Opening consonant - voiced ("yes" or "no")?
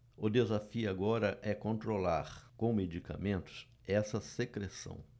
yes